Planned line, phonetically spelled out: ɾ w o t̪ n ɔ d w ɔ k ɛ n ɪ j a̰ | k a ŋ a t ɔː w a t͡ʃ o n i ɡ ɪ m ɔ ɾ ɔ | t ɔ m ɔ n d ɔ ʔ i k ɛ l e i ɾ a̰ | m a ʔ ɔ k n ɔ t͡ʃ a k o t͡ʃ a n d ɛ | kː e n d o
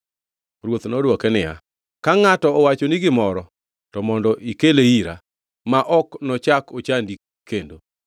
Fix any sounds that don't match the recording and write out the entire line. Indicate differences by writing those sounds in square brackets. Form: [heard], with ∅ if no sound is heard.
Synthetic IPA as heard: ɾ w o t̪ n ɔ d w ɔ k ɛ n ɪ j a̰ | k a ŋ a t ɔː w a t͡ʃ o n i ɡ ɪ m ɔ ɾ ɔ | t ɔ m ɔ n d ɔ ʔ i k [e] l e i ɾ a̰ | m a ʔ ɔ k n ɔ t͡ʃ a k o t͡ʃ a n d [i] | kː e n d o